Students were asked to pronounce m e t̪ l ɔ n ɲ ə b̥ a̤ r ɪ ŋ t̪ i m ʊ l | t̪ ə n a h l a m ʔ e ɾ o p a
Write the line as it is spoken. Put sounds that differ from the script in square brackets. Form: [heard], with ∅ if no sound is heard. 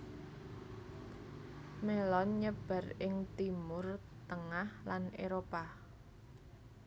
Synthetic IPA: m e [∅] l ɔ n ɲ ə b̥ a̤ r ɪ ŋ t̪ i m ʊ [r] | t̪ ə [ŋ] a h l a [n] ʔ e ɾ o p a